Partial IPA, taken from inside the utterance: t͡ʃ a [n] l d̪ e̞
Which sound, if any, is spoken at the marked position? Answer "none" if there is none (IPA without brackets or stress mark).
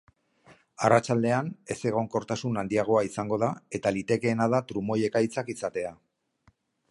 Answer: none